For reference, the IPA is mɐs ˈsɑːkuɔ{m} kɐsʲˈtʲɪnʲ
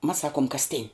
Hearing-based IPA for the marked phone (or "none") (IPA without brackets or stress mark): m